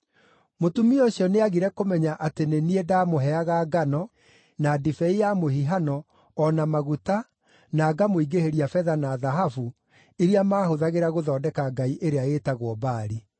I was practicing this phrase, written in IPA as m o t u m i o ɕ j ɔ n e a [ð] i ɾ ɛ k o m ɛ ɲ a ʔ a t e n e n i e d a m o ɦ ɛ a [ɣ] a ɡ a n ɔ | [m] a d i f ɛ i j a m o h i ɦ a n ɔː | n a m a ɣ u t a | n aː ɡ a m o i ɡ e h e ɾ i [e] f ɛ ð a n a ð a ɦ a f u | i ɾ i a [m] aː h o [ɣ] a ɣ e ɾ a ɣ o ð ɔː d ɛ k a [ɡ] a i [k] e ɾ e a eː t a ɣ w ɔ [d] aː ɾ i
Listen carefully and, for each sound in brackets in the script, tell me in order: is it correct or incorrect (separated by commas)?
incorrect, correct, incorrect, incorrect, correct, incorrect, correct, incorrect, incorrect